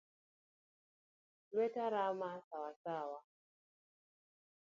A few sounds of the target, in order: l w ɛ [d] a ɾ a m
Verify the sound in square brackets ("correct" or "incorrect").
incorrect